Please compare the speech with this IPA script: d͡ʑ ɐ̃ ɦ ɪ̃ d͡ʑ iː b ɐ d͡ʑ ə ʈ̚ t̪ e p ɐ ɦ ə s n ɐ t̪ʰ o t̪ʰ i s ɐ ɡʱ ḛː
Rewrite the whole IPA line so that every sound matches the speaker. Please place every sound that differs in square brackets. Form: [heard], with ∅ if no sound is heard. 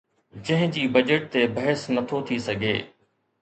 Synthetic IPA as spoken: d͡ʑ ɐ̃ ɦ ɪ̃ d͡ʑ iː b ɐ d͡ʑ ə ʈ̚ t̪ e [b] ɐ ɦ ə s n ɐ t̪ʰ o t̪ʰ i s ɐ ɡʱ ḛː